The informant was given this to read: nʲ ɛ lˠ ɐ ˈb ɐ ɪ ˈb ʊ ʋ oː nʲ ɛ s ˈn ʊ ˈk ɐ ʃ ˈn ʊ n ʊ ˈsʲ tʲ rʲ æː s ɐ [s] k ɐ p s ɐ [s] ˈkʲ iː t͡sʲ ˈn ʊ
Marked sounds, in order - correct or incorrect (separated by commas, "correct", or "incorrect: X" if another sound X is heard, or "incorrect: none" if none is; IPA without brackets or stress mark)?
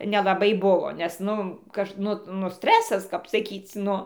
correct, incorrect: none